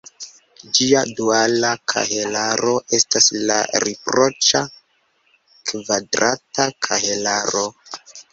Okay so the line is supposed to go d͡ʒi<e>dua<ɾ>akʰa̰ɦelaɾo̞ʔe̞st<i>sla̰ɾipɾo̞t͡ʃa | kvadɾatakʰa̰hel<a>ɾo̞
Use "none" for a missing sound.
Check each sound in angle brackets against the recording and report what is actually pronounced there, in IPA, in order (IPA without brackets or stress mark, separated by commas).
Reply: a, l, a, a